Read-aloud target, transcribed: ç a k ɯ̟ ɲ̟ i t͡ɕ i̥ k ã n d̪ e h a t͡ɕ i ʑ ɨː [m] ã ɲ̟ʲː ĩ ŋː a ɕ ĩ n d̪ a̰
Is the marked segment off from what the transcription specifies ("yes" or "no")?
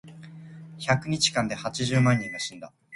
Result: no